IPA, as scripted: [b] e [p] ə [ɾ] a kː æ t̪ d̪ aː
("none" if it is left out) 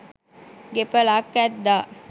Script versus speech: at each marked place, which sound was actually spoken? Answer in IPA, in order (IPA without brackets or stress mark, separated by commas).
ɡ, p, l